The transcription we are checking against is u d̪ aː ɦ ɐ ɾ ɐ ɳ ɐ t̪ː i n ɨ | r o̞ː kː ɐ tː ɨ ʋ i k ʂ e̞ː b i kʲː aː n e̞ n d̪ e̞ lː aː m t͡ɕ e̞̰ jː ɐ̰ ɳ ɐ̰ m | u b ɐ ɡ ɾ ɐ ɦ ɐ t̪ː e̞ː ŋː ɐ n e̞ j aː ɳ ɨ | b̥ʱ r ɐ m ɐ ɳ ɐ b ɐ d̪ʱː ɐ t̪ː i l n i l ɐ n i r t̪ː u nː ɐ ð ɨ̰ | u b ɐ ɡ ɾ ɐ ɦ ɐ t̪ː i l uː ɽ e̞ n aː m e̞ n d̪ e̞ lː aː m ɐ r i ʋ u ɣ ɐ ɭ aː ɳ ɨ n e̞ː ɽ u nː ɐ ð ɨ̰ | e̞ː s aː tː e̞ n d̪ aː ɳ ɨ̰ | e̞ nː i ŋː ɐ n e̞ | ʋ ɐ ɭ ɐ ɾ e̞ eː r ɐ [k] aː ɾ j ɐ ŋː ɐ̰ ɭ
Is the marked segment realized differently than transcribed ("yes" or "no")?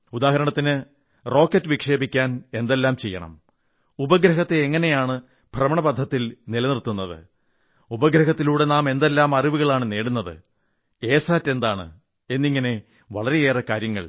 no